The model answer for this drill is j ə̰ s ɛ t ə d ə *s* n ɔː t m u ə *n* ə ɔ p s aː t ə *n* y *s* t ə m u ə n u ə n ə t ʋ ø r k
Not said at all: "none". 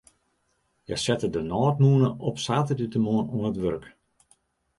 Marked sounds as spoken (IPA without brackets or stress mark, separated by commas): none, n, d, none